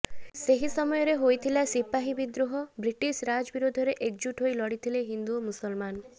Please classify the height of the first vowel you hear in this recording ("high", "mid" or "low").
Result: mid